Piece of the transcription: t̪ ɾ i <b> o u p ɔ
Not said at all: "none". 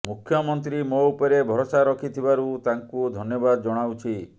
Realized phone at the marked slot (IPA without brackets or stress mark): m